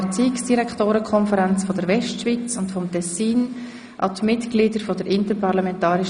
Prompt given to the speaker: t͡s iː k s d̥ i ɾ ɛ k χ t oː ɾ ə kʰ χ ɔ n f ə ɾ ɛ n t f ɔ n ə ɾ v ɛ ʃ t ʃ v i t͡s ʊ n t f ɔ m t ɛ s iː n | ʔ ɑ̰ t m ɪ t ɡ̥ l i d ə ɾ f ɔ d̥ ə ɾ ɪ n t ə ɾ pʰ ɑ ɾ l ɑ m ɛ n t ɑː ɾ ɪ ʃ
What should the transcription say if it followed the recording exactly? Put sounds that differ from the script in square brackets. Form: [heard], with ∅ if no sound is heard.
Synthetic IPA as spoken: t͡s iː k s d̥ i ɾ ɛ k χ t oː ɾ ə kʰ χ ɔ n f ə ɾ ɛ n [t͡s] f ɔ [d] ə ɾ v ɛ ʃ t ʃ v i t͡s ʊ n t f ɔ m t ɛ s iː n | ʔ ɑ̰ t m ɪ t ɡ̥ l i d ə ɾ f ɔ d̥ ə ɾ ɪ n t ə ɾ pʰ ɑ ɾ l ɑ m ɛ n t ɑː ɾ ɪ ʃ